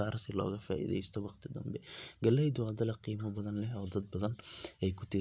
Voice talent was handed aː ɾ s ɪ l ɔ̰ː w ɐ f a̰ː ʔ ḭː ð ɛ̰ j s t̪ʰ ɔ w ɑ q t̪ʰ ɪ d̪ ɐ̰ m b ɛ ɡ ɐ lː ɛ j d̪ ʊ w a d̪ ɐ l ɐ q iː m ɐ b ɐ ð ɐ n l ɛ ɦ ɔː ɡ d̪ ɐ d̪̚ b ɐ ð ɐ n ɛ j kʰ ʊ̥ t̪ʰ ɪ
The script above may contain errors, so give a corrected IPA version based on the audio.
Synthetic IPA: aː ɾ s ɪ l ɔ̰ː ɣ ɐ f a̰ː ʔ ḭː ð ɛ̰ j s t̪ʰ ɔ w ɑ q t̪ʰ ɪ d̪ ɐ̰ m b ɛ ɡ ɐ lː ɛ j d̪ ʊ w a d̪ ɐ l ɐ q iː m ɐ b ɐ ð ɐ n l ɛ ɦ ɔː d̪ ɐ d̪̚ b ɐ ð ɐ n ɛ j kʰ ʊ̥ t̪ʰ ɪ